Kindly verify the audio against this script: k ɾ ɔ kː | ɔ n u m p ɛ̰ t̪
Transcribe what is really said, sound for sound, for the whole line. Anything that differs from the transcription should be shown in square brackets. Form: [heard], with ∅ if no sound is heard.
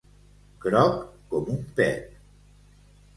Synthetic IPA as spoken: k ɾ ɔ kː | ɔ [m] u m p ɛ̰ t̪